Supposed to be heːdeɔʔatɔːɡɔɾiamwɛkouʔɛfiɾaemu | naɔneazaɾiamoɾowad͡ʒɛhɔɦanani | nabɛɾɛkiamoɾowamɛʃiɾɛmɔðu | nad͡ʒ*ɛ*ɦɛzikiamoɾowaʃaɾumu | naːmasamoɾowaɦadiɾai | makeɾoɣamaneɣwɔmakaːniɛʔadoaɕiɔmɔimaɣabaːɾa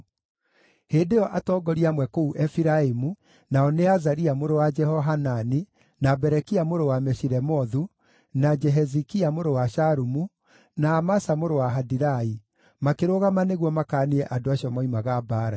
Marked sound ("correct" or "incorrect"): correct